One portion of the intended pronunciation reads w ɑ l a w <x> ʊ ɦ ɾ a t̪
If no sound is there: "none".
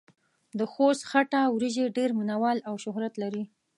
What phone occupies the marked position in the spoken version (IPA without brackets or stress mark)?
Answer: ʃ